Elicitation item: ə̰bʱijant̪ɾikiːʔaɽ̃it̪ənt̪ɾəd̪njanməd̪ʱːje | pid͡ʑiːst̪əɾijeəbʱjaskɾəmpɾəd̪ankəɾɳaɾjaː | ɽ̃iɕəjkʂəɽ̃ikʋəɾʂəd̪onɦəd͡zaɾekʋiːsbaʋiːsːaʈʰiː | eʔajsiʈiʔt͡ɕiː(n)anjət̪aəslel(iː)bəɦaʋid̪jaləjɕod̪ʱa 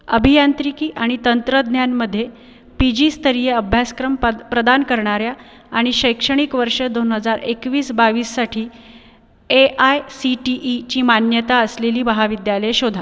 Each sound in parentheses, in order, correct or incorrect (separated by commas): incorrect, correct